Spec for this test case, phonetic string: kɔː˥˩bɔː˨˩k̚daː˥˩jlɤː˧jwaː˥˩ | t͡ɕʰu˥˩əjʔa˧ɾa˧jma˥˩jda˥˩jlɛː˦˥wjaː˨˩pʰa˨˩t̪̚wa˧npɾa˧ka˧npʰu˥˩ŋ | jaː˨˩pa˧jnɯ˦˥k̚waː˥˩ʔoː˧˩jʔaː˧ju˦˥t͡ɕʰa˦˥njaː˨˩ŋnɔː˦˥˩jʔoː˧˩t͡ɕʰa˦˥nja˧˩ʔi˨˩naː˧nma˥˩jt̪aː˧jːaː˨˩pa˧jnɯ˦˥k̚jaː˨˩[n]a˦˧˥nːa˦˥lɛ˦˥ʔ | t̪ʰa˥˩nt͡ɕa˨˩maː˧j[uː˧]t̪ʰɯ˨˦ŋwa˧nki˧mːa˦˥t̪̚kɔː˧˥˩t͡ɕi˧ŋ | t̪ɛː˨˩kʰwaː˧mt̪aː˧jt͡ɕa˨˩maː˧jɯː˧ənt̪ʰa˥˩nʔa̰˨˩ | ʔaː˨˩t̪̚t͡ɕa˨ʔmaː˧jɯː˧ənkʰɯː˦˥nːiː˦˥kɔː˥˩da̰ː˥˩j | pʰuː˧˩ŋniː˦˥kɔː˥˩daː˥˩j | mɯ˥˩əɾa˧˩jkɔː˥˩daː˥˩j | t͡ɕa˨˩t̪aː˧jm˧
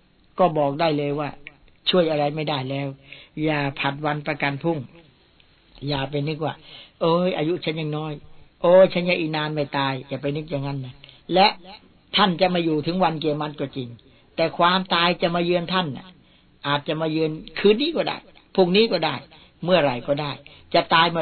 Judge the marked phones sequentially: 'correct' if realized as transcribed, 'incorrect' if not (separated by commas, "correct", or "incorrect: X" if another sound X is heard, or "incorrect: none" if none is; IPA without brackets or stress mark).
incorrect: ŋ, incorrect: uː˨˩